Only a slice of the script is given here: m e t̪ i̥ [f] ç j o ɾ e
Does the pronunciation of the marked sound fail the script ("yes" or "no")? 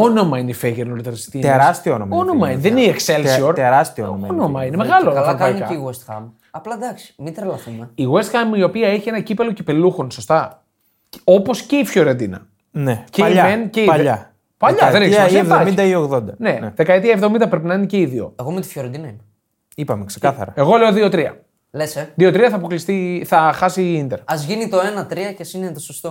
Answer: no